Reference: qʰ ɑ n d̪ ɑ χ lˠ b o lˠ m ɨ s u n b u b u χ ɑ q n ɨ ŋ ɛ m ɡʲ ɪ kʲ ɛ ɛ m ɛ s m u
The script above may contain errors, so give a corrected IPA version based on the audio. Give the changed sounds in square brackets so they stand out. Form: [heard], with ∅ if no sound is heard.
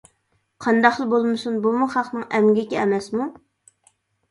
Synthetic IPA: qʰ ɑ n d̪ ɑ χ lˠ b o lˠ m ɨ s u n b u [m] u χ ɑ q n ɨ ŋ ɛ m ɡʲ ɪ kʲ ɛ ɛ m ɛ s m u